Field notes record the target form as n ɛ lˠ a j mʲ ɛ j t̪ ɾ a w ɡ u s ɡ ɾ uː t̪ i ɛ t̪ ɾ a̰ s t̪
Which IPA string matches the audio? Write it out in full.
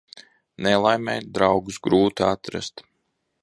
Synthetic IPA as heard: n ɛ lˠ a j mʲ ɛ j d̪ ɾ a w ɡ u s ɡ ɾ uː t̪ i a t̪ ɾ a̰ s t̪